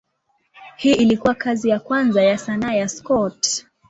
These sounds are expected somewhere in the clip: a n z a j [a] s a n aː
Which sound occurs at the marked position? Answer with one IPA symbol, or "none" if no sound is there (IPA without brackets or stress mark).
a